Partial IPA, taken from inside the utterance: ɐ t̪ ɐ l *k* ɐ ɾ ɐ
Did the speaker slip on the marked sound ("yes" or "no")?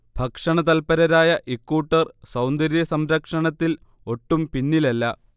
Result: yes